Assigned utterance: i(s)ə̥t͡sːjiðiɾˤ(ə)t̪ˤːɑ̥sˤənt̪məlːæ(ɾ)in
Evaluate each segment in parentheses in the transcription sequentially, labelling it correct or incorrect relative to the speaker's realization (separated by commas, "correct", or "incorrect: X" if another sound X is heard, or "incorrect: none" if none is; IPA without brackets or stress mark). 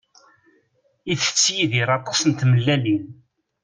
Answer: incorrect: θ, incorrect: ɑ, incorrect: l